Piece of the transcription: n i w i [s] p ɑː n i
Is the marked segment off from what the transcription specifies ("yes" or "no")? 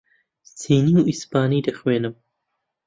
no